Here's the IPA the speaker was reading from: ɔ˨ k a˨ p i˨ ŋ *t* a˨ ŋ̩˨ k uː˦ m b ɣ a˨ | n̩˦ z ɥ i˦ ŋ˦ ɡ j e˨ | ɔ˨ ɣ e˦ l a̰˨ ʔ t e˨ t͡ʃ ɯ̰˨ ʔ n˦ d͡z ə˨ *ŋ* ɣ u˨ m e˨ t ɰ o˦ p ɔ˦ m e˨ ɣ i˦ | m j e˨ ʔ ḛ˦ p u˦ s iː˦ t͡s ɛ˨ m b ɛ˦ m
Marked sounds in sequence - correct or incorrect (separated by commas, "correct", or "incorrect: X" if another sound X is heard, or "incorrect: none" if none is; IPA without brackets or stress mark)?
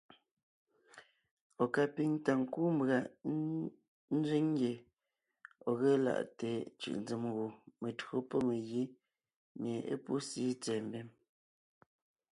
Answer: correct, incorrect: m